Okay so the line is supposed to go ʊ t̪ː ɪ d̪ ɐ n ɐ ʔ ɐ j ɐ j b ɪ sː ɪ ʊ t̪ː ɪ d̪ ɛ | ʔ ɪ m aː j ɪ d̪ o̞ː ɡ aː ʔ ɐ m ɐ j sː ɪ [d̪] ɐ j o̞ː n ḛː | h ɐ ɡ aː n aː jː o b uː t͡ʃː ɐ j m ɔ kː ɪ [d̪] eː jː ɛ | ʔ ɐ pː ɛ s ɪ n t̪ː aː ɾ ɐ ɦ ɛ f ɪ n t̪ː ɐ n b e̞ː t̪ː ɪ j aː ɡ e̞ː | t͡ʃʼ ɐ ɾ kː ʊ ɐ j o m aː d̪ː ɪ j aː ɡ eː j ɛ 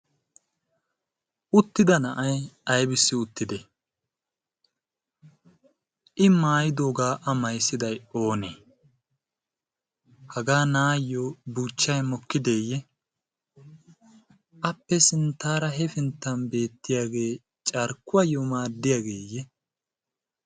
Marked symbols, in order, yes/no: yes, yes

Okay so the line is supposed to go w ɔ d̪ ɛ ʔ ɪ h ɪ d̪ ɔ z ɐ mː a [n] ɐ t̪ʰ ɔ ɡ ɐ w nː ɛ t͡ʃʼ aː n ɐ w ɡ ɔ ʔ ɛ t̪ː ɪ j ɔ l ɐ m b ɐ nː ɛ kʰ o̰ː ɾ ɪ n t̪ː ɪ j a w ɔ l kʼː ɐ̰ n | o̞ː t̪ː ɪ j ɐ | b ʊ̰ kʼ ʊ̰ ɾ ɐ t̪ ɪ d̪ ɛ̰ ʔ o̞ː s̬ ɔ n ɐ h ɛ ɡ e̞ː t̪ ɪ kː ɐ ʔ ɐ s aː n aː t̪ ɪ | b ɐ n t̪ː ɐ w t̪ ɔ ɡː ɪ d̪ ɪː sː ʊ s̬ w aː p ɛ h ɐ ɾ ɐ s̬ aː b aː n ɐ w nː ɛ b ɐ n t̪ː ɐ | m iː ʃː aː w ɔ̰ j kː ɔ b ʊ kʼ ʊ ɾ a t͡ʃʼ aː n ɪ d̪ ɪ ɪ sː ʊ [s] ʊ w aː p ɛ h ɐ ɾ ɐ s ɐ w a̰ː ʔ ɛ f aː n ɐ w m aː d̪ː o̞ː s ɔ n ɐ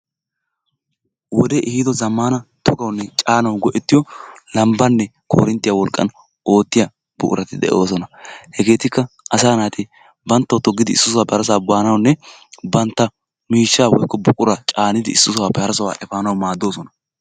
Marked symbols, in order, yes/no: yes, yes

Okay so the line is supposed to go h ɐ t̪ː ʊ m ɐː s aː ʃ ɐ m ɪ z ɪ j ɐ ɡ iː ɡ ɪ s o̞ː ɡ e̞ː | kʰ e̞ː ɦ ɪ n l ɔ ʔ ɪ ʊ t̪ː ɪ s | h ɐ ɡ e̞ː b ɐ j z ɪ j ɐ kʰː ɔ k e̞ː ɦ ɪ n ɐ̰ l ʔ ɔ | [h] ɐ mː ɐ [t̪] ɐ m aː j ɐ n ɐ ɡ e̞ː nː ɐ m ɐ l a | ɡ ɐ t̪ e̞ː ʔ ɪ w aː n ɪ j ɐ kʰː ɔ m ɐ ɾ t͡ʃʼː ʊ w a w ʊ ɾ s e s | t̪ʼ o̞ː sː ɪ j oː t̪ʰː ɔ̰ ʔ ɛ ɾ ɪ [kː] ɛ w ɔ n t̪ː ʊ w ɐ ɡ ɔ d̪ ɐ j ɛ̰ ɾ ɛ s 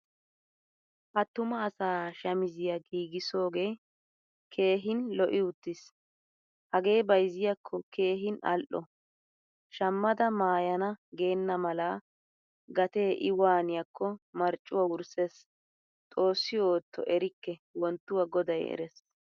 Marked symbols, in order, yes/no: no, no, yes

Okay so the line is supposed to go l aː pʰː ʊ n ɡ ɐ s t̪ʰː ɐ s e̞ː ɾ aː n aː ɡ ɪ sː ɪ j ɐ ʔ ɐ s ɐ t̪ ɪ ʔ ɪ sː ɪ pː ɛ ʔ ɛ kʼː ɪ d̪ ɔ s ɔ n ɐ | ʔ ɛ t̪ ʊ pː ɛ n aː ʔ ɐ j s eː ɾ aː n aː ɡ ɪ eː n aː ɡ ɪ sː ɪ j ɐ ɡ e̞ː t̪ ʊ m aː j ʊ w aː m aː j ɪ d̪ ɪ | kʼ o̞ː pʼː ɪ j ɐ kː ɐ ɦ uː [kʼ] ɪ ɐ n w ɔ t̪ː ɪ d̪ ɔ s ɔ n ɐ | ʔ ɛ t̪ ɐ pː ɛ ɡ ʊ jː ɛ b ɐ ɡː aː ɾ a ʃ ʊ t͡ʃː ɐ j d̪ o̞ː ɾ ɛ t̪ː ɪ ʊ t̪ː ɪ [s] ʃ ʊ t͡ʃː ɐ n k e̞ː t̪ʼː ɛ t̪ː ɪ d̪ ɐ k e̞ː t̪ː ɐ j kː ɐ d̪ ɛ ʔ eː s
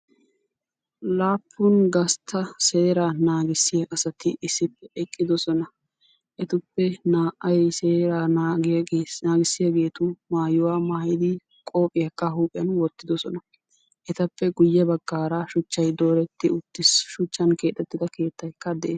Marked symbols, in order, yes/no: no, yes

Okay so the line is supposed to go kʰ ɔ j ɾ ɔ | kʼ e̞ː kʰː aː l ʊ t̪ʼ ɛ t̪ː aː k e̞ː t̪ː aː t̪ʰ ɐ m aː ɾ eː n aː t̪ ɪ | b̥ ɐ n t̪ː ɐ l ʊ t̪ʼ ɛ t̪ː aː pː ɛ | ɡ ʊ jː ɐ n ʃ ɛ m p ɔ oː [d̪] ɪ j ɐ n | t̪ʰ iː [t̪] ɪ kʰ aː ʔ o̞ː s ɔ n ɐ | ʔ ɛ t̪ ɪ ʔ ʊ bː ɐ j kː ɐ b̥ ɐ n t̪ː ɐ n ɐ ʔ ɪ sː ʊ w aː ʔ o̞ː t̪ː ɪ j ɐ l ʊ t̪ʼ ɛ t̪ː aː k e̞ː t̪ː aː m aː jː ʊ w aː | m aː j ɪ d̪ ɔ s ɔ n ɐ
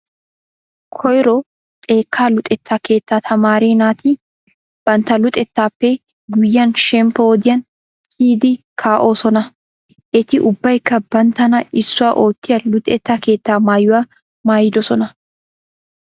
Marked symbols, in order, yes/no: yes, no

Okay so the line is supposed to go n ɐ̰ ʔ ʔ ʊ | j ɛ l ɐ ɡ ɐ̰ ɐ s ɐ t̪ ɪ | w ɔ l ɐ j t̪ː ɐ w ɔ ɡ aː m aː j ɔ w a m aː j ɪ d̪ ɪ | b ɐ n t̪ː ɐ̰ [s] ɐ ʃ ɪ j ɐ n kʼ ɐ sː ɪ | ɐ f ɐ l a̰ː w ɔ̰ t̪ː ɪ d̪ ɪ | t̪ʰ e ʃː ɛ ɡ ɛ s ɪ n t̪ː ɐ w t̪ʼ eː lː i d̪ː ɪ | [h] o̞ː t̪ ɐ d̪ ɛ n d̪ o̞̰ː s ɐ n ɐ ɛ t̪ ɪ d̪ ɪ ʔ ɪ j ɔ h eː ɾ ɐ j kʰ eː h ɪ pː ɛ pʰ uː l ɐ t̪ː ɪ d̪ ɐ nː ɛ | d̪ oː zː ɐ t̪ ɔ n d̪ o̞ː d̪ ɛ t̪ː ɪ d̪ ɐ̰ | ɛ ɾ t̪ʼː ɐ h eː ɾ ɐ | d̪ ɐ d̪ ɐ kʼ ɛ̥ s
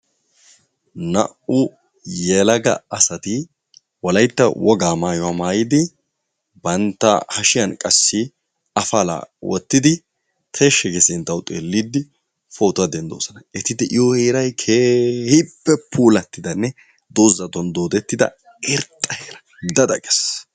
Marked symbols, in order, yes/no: no, no

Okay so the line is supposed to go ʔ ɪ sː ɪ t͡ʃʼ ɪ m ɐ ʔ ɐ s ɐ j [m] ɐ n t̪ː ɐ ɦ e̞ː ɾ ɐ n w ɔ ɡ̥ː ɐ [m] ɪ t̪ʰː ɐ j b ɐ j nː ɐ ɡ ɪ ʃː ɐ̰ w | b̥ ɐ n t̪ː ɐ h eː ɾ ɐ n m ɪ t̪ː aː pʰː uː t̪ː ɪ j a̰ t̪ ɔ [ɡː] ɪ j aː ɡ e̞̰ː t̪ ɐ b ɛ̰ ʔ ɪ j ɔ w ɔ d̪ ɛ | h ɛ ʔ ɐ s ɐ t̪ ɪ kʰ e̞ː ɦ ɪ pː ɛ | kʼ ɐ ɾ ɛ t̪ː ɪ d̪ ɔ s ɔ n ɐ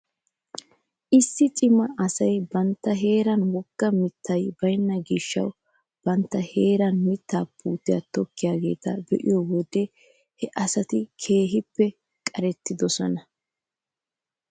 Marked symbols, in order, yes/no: no, yes, no

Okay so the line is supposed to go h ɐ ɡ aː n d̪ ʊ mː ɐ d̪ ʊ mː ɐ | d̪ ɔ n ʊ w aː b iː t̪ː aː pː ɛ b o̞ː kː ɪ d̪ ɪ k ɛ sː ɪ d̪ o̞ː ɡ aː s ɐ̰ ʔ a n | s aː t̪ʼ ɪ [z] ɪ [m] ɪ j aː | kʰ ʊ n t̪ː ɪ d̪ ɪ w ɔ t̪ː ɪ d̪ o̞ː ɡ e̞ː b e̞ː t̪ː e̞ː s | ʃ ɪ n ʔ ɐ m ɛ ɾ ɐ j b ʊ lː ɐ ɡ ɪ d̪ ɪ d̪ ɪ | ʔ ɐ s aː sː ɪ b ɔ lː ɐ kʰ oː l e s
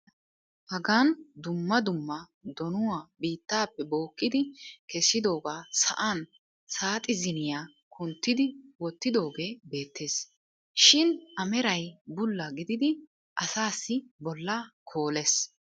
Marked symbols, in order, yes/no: yes, no

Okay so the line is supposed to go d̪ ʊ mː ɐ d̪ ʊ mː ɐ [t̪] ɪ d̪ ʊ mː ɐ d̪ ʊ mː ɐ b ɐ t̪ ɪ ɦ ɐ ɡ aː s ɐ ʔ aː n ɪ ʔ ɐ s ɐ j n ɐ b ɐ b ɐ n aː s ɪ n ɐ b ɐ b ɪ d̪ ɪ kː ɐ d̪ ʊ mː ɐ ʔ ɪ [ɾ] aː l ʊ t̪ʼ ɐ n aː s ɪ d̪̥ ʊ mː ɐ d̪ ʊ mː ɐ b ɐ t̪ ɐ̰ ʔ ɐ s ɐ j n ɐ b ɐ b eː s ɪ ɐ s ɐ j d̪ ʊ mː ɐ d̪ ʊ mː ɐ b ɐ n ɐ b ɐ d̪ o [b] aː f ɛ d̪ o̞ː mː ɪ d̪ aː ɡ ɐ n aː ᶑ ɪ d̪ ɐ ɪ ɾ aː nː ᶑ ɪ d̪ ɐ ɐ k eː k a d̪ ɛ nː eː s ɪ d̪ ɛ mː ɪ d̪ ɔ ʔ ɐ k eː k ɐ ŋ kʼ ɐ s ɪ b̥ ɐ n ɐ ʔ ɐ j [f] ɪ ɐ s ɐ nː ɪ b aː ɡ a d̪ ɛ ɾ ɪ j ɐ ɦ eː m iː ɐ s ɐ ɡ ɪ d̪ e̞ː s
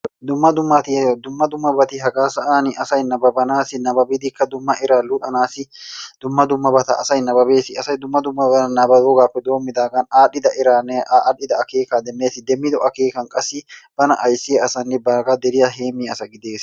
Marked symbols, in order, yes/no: yes, yes, no, no

